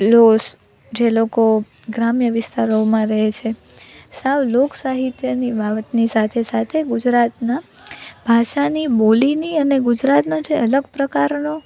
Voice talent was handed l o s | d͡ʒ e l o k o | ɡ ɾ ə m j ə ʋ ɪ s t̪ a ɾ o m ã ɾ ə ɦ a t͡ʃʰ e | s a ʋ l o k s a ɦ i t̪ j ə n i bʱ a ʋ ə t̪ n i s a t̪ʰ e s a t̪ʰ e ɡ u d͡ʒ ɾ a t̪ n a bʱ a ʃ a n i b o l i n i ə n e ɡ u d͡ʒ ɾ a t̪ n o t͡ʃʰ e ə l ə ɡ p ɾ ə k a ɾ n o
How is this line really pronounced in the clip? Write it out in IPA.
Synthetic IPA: l o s | d͡ʒ e l o k o | ɡ ɾ a m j ə ʋ ɪ s t̪ a ɾ o m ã ɾ ə ɦ e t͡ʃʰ e | s a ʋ l o k s a ɦ i t̪ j ə n i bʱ a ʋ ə t̪ n i s a t̪ʰ e s a t̪ʰ e ɡ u d͡ʒ ɾ a t̪ n a bʱ a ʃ a n i b o l i n i ə n e ɡ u d͡ʒ ɾ a t̪ n o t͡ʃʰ e ə l ə ɡ p ɾ ə k a ɾ n o